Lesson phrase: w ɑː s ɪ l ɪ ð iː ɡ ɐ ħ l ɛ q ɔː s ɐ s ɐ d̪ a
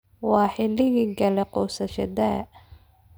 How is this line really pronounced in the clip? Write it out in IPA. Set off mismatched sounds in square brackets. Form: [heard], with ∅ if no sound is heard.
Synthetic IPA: w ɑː [ħ] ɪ l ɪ [ɣ] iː ɡ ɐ [∅] l ɛ q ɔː s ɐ [ʃ] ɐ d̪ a